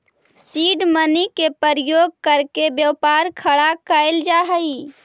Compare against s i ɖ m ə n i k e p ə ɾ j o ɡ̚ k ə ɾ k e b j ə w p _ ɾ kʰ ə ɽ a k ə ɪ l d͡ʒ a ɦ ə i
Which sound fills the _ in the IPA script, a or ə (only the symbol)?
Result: a